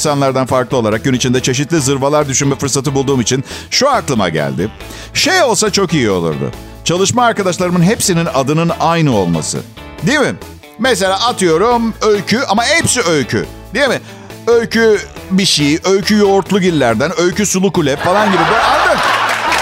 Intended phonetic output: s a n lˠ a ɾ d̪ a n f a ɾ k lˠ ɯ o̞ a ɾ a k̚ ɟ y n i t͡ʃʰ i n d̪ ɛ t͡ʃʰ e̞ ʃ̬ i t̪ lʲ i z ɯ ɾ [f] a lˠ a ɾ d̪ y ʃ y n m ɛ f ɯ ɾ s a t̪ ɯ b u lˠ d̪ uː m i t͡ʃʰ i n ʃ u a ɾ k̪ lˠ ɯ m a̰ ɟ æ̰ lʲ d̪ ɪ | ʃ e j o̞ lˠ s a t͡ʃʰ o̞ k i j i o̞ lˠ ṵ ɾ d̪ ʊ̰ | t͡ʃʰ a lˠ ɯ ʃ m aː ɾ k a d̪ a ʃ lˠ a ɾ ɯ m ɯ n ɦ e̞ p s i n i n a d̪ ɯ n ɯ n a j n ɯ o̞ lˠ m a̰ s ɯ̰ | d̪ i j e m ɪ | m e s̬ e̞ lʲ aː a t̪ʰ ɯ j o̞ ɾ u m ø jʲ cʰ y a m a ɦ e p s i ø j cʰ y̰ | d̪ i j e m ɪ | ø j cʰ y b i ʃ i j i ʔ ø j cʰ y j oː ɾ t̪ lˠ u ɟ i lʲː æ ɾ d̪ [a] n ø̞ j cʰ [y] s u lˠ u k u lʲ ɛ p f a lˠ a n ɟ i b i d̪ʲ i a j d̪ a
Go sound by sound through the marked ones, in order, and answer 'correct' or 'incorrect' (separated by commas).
incorrect, incorrect, correct